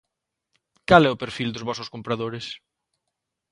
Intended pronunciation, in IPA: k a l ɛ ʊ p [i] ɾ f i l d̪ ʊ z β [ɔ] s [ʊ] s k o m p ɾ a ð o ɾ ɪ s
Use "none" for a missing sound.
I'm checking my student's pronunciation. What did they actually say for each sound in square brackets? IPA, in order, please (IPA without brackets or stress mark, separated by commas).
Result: e, ɔ, ʊ